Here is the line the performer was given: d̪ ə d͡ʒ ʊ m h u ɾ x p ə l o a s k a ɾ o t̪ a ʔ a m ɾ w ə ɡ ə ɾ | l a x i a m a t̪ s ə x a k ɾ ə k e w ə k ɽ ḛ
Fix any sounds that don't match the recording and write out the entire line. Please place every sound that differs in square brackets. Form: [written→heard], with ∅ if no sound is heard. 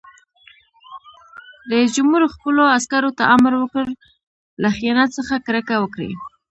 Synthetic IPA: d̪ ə d͡ʒ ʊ m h u ɾ x p ə l o a s k a ɾ o t̪ a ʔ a m ɾ w ə [ɡ→k] ə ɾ | l a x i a [m→n] a t̪ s ə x a k ɾ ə k [e→a] w ə k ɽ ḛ